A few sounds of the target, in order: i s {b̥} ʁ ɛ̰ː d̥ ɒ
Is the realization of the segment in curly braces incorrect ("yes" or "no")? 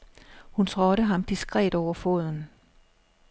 yes